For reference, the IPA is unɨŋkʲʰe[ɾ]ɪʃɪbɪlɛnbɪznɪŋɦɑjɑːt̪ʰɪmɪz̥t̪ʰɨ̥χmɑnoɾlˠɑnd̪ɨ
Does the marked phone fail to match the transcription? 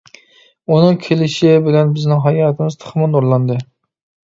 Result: yes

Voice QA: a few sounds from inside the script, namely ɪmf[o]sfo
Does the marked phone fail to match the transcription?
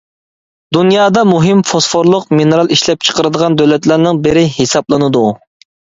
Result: no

